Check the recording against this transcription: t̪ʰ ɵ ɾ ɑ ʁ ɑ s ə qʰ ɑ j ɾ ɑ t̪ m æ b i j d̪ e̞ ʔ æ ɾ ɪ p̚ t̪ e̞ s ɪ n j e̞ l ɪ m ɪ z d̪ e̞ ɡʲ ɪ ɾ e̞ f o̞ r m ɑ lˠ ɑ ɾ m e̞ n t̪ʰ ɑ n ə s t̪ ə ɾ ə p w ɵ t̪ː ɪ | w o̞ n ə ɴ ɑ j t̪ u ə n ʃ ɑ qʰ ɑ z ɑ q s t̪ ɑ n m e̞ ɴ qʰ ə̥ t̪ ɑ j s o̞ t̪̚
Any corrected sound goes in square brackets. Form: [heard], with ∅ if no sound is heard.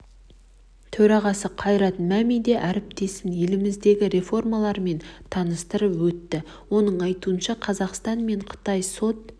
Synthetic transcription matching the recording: t̪ʰ ɵ ɾ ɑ ʁ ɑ s ə qʰ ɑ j ɾ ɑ t̪ m æ [m] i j d̪ e̞ ʔ æ ɾ ɪ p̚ t̪ e̞ s ɪ n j e̞ l ɪ m ɪ z d̪ e̞ ɡʲ ɪ ɾ e̞ f o̞ r m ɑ lˠ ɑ ɾ m e̞ n t̪ʰ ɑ n ə s t̪ ə ɾ ə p w ɵ t̪ː ɪ | w o̞ n ə ɴ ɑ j t̪ u ə n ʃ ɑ qʰ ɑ z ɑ q s t̪ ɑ n m e̞ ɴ qʰ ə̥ t̪ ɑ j s o̞ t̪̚